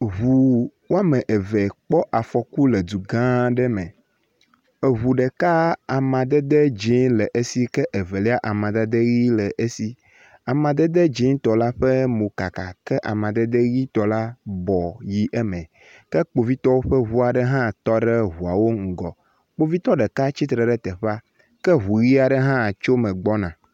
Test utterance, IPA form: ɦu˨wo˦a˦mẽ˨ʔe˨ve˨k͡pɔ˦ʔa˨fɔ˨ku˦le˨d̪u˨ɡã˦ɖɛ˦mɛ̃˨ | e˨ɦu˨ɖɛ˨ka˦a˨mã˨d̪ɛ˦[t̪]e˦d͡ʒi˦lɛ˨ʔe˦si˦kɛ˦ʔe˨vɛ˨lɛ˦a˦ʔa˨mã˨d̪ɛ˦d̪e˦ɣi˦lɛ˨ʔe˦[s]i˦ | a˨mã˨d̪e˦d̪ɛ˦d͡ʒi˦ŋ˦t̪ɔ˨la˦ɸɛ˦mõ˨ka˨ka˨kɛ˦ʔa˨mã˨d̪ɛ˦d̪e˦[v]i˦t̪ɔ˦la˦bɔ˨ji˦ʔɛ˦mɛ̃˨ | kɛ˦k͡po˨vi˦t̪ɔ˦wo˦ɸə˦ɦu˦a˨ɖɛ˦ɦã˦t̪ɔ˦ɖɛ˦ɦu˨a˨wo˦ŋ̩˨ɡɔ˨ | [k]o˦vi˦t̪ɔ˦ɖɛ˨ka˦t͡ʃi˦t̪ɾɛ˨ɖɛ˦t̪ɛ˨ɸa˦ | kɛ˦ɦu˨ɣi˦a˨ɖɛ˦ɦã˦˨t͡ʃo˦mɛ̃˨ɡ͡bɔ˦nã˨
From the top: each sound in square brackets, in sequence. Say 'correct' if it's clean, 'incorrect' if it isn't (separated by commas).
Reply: incorrect, correct, incorrect, incorrect